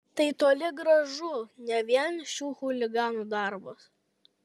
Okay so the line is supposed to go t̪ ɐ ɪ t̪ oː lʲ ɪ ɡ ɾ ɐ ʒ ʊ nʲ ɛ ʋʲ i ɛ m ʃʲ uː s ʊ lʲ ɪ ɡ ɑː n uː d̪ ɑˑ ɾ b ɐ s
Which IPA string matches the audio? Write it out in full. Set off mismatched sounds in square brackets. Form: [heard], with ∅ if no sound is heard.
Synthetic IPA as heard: t̪ ɐ ɪ t̪ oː lʲ ɪ ɡ ɾ ɐ ʒ ʊ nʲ ɛ ʋʲ i ɛ [n] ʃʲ uː [x] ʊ lʲ ɪ ɡ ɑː n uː d̪ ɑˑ ɾ b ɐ s